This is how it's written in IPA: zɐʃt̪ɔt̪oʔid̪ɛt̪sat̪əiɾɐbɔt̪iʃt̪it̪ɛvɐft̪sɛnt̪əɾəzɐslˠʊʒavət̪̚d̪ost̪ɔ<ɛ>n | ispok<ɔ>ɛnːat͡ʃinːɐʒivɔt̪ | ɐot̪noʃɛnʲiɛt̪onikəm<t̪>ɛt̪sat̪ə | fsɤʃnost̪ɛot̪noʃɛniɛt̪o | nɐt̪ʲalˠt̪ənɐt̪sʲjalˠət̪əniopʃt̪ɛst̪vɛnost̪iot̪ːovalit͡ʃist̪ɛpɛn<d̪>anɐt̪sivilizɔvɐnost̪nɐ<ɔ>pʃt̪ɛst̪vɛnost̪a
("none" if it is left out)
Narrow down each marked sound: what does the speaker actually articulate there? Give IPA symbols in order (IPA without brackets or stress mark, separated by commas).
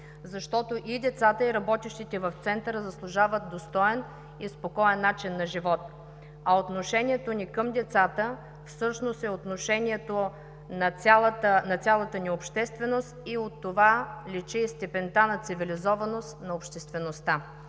ɛ, ɔ, d̪, t̪, o